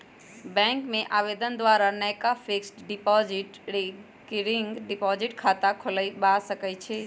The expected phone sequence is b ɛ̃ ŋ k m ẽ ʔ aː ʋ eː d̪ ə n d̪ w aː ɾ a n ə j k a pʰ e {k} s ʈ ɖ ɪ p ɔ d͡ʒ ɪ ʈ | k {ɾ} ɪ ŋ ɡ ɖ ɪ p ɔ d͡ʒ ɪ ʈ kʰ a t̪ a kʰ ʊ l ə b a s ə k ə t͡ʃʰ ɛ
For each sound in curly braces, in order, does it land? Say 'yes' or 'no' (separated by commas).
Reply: yes, yes